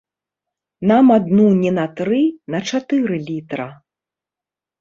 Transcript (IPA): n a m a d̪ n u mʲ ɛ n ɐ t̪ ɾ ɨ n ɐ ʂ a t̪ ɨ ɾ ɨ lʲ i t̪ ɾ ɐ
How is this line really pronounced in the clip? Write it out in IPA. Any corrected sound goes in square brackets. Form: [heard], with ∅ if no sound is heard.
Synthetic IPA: n a m a d̪ n u [nʲ] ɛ n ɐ t̪ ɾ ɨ n ɐ [t͡ʂ] a t̪ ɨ ɾ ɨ lʲ i t̪ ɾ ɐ